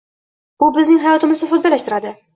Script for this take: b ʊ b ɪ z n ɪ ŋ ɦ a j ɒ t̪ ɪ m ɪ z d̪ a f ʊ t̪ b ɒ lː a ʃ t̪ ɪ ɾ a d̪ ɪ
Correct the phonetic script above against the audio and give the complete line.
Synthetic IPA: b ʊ b ɪ z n ɪ ŋ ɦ a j ɒ t̪ ɪ m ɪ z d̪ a f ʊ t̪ b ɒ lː a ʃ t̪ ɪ ɾ a d̪ ɪ